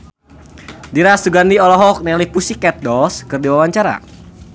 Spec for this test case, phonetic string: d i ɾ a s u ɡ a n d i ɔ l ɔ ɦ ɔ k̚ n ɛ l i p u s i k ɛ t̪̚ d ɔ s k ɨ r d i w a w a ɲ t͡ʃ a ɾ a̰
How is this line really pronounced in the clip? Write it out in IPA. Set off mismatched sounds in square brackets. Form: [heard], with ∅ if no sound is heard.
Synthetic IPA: d i ɾ a s u ɡ a n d i ɔ l ɔ ɦ ɔ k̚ n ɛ l i p u s i k ɛ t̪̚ d ɔ s k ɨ r d i w a w a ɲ t͡ʃ a ɾ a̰